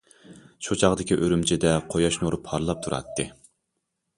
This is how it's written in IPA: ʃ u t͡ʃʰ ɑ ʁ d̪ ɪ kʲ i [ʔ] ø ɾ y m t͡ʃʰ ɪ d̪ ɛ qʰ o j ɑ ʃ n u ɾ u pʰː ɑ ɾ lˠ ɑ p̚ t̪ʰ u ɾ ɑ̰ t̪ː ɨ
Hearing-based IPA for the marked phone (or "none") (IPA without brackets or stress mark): ʔ